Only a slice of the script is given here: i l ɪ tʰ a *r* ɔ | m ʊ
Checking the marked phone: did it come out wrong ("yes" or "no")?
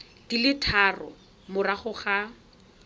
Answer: no